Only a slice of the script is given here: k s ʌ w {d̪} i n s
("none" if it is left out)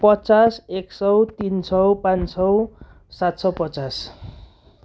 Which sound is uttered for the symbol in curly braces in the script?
t̪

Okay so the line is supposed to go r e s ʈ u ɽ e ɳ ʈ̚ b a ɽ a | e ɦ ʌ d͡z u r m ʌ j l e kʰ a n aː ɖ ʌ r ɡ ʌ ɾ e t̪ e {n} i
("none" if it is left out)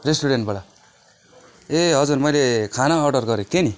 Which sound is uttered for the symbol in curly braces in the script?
n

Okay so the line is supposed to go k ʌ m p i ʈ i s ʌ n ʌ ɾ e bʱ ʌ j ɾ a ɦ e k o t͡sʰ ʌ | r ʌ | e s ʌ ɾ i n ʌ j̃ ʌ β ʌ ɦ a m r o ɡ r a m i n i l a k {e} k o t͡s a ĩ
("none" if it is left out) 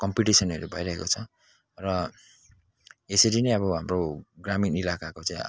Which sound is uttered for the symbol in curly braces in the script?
a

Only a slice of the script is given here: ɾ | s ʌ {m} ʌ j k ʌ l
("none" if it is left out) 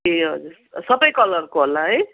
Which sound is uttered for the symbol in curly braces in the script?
b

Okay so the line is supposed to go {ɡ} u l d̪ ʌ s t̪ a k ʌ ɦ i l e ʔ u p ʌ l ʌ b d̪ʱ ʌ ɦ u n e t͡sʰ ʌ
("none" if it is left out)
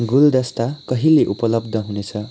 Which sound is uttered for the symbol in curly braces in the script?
ɡ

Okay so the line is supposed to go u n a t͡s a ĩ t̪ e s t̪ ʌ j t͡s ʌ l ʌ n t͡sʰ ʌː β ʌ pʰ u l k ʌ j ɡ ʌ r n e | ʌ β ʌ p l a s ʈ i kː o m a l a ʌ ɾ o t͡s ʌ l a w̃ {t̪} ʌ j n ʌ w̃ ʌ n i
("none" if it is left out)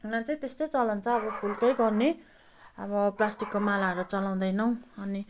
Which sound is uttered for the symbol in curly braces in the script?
d̪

